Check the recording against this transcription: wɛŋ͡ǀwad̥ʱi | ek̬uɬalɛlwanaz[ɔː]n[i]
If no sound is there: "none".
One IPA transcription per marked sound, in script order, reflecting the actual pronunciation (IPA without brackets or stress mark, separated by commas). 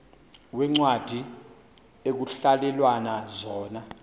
ɔː, a